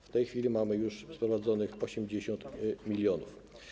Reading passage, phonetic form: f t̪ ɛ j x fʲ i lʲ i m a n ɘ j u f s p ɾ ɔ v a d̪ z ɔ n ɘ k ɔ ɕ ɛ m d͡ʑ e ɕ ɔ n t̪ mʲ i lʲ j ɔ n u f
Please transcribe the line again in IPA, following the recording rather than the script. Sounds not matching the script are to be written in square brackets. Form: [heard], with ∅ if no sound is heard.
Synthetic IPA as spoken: f t̪ ɛ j x fʲ i lʲ i m a [m] ɘ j u [ʂ] s p ɾ ɔ v a d̪ z ɔ n ɘ [x] ɔ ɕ ɛ m d͡ʑ e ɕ ɔ n t̪ mʲ i lʲ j ɔ n u f

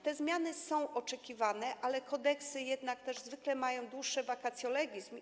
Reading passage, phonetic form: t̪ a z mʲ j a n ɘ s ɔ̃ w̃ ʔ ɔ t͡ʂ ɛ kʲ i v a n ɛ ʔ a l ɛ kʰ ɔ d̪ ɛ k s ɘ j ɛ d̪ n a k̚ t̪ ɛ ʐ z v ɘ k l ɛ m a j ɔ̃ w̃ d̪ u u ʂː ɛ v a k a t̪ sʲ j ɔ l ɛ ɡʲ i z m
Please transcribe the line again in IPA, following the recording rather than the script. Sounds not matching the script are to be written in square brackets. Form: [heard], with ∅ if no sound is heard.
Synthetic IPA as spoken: t̪ [ɛ] z mʲ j a n ɘ s ɔ̃ w̃ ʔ ɔ t͡ʂ ɛ kʲ i v a n ɛ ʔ a l ɛ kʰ ɔ d̪ ɛ k s ɘ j ɛ d̪ n a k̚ t̪ ɛ ʐ z v ɘ k l ɛ m a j ɔ̃ w̃ d̪ [w] u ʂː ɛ v a k a t̪ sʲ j ɔ l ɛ ɡʲ i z m

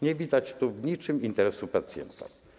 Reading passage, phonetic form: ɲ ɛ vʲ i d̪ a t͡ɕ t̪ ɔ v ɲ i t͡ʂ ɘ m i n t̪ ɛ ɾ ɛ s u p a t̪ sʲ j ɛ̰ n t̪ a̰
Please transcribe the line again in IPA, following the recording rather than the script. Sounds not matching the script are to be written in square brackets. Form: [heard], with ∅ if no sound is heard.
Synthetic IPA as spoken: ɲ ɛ vʲ i d̪ a t͡ɕ t̪ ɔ v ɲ i t͡ʂ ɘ m i n t̪ ɛ ɾ ɛ s u p a t̪ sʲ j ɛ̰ n t̪ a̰

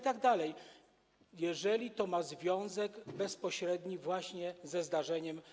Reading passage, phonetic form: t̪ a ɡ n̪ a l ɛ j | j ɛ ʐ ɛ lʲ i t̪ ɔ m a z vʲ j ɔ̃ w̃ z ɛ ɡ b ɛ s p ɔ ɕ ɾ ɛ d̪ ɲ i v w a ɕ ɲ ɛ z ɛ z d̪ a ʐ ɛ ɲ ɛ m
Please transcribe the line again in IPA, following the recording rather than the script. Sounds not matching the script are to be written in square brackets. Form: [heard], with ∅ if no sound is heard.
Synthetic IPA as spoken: t̪ a ɡ [d̪] a l ɛ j | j ɛ ʐ ɛ lʲ i t̪ ɔ m a z vʲ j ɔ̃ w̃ z ɛ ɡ b ɛ s p ɔ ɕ ɾ ɛ d̪ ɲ i v w a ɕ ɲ ɛ z ɛ z d̪ a ʐ ɛ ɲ ɛ m

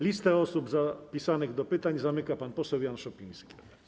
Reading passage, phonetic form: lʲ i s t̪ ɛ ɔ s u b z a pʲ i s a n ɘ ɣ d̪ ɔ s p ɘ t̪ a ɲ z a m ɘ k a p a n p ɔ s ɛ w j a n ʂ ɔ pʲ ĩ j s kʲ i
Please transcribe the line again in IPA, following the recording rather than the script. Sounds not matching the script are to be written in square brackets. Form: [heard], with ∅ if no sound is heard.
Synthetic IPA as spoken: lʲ i s t̪ ɛ ɔ s u b z a pʲ i s a n ɘ ɣ d̪ ɔ [∅] p ɘ t̪ a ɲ z a m ɘ k a p a n p ɔ s ɛ w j a n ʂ ɔ pʲ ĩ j s kʲ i

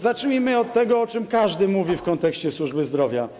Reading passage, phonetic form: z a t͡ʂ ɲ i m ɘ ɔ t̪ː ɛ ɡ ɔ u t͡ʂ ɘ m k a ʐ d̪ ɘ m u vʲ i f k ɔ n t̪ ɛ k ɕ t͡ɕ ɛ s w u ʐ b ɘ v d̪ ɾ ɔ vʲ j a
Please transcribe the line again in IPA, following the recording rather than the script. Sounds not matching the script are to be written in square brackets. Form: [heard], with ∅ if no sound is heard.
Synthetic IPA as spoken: z a t͡ʂ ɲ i m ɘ ɔ t̪ː ɛ ɡ ɔ [ɔ] t͡ʂ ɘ m k a ʐ d̪ ɘ m u vʲ i f k ɔ n t̪ ɛ k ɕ t͡ɕ ɛ s w u ʐ b ɘ [z] d̪ ɾ ɔ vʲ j a

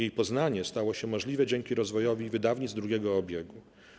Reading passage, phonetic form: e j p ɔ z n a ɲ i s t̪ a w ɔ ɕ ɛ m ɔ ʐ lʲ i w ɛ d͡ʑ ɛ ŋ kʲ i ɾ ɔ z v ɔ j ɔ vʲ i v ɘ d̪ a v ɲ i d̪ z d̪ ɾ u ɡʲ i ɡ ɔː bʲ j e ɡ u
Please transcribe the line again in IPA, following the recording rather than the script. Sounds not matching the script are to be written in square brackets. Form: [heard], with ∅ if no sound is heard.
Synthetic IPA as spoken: e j p ɔ z n a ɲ [ɛ] s t̪ a w ɔ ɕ ɛ m ɔ ʐ lʲ i [v] ɛ d͡ʑ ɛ ŋ kʲ i ɾ ɔ z v ɔ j ɔ vʲ i v ɘ d̪ a v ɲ i d̪ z d̪ ɾ u ɡʲ [ɛ] ɡ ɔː bʲ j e ɡ u

